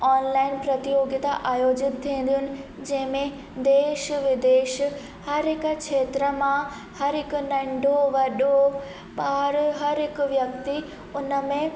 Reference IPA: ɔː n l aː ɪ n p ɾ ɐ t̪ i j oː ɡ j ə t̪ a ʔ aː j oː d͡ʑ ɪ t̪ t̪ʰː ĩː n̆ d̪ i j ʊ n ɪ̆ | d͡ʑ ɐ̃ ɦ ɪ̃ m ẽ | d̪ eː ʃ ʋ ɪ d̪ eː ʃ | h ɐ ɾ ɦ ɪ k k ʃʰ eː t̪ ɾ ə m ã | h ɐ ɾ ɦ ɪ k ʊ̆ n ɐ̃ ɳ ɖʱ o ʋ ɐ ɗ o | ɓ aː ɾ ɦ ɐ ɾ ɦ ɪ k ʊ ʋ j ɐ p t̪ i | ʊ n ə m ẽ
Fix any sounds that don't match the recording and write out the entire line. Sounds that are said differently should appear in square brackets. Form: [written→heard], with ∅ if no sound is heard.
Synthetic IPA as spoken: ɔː n l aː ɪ n p ɾ ɐ t̪ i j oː ɡ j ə t̪ a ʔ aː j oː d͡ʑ ɪ t̪ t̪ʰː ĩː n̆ d̪ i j ʊ n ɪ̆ | d͡ʑ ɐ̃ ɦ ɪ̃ m ẽ | d̪ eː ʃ ʋ ɪ d̪ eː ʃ | h ɐ ɾ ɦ ɪ k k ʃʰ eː t̪ ɾ ə m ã | h ɐ ɾ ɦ ɪ k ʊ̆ n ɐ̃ ɳ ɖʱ o ʋ ɐ ɗ o | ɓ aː ɾ ɦ ɐ ɾ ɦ ɪ k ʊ ʋ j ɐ [p→k] t̪ i | ʊ n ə m ẽ